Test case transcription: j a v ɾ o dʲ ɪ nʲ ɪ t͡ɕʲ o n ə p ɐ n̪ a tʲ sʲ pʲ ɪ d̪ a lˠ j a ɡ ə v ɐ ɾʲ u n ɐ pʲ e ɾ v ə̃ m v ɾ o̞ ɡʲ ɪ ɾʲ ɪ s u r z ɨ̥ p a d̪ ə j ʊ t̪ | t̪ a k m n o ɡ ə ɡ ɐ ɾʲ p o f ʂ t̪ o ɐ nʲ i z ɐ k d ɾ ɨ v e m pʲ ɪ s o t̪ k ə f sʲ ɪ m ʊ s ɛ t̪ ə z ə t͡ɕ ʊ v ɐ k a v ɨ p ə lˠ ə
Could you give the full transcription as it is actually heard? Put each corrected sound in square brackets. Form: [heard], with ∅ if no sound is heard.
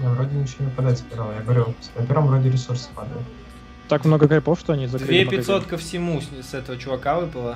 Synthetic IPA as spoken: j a v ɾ o dʲ ɪ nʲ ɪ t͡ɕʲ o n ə p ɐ [d̪] a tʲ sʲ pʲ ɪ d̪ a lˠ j a ɡ ə v ɐ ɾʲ u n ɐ pʲ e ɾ v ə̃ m v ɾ o̞ [dʲ] ɪ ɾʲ ɪ s u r [s] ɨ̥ p a d̪ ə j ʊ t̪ | t̪ a k m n o ɡ ə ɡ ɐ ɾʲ p o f ʂ t̪ o ɐ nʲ i z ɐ k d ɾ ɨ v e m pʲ ɪ s o t̪ k ə f sʲ ɪ m [u] s ɛ t̪ ə [v] ə t͡ɕ ʊ v ɐ k a v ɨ p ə lˠ ə